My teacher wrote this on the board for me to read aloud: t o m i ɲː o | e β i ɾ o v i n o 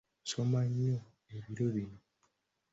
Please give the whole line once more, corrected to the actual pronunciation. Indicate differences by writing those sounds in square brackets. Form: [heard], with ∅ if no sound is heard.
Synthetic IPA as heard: [s] o m [a] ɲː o | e β i ɾ o [β] i n o